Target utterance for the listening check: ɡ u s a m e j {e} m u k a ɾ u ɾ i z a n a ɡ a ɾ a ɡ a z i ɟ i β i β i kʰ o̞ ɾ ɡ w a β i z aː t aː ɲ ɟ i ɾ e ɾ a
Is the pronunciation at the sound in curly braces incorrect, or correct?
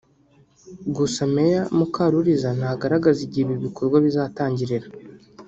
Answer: incorrect